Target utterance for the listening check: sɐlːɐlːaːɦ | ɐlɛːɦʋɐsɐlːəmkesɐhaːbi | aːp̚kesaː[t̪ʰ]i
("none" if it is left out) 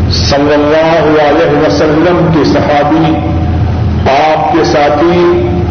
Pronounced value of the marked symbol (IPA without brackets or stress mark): t̪ʰ